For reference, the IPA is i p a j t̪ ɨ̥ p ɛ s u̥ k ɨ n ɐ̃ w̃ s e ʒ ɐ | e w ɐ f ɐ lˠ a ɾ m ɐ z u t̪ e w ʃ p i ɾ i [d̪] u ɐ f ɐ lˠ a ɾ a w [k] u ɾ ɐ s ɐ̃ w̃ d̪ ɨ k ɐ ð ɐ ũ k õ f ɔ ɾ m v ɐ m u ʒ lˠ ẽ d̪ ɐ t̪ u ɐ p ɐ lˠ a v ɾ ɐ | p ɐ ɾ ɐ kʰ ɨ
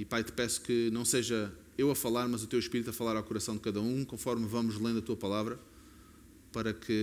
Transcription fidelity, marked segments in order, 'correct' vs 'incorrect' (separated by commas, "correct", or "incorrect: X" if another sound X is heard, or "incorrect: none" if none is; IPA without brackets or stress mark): incorrect: t̪, correct